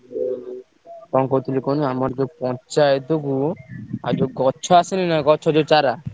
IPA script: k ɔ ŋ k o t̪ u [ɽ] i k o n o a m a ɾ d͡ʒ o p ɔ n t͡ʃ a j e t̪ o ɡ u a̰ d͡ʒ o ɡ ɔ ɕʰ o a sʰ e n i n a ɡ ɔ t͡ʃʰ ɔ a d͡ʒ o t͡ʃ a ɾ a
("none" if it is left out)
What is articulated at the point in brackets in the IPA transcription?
l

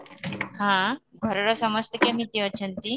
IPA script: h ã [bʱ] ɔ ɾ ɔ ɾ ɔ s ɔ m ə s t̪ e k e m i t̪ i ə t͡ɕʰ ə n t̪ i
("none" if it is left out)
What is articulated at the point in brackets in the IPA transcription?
ɡʱ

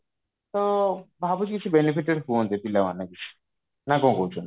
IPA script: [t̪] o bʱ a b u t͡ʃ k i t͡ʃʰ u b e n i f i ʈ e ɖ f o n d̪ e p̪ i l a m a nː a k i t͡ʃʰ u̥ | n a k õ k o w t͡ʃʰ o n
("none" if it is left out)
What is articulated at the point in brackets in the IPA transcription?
t̪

